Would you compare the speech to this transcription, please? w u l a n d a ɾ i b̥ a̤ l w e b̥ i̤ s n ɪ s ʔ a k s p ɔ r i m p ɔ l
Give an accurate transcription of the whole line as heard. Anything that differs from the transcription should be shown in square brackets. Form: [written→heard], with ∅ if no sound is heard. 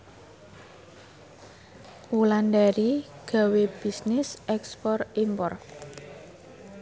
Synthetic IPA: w u l a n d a ɾ i [b̥→ɡ̥] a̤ [l→∅] w e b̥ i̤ s n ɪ s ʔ [a→ɛ] k s p ɔ r i m p ɔ [l→r]